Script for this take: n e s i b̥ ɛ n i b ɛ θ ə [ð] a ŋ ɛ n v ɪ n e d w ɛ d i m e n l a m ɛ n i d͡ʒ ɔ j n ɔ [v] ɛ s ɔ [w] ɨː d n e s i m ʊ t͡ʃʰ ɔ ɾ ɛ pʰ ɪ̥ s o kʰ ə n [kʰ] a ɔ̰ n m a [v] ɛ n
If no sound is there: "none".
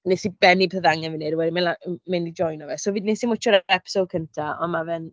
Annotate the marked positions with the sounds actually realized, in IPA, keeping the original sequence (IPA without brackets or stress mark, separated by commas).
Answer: ð, v, v, tʰ, v